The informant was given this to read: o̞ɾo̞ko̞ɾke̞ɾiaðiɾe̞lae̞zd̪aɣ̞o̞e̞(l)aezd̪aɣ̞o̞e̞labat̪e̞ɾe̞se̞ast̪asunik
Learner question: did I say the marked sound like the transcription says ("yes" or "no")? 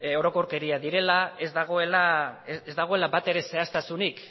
yes